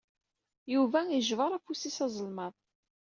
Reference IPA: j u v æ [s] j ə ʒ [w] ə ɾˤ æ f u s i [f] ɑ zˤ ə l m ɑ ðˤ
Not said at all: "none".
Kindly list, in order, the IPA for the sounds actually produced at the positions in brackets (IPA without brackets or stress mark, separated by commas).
none, v, s